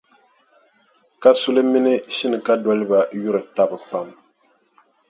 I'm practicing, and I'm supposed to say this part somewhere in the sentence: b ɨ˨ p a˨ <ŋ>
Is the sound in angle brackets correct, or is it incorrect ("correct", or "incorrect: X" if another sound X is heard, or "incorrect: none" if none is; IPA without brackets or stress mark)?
incorrect: m